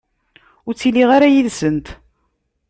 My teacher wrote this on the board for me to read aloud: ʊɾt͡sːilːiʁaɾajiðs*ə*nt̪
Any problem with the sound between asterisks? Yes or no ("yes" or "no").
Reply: no